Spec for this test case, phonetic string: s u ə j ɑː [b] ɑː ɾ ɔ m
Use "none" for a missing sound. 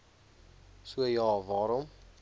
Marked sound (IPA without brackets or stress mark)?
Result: v